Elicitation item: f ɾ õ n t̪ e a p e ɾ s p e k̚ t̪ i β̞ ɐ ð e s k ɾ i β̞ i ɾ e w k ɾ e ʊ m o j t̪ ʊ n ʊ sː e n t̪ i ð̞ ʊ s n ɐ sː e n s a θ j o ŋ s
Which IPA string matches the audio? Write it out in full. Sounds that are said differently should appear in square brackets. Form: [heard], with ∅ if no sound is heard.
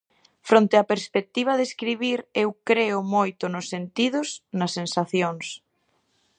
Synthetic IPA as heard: f ɾ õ n t̪ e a p e ɾ s p e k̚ t̪ i β̞ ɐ ð e s k ɾ i β̞ i ɾ e w k ɾ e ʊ m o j t̪ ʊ n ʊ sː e n t̪ i ð̞ ʊ s n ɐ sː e n s a θ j o ŋ s